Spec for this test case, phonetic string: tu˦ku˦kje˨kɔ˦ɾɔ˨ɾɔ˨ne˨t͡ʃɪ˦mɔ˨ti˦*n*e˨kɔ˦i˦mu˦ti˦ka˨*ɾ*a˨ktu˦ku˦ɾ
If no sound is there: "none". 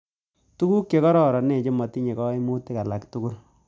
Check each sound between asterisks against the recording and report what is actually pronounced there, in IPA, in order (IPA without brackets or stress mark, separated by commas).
ɲ, l